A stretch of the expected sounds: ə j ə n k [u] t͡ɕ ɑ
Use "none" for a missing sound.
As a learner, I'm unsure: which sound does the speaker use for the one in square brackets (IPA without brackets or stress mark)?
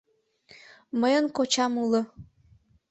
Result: o